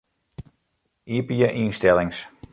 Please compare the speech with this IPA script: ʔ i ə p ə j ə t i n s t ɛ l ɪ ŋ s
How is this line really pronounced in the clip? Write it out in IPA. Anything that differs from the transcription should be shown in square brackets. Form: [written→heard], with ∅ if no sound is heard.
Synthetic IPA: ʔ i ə p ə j ə [t→ʔ] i n s t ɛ l ɪ ŋ s